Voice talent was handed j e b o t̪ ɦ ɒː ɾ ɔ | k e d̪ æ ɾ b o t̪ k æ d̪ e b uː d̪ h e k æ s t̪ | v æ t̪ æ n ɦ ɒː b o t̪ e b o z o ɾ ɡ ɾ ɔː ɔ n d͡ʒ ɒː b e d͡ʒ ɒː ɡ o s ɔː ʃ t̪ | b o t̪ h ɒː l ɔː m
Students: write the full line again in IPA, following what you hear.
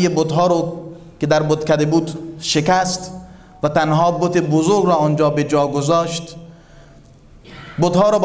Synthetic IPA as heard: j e b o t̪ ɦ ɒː ɾ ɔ | k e d̪ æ ɾ b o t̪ k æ d̪ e b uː d̪ ʃ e k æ s t̪ | v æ t̪ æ n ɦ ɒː b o t̪ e b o z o ɾ ɡ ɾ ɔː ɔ n d͡ʒ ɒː b e d͡ʒ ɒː ɡ o z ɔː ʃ t̪ | b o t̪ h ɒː ɾ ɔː b